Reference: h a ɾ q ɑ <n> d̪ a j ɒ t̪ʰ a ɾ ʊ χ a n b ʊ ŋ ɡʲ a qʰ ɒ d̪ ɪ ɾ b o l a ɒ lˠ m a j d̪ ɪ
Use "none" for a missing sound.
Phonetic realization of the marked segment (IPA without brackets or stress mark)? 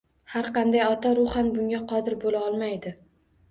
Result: n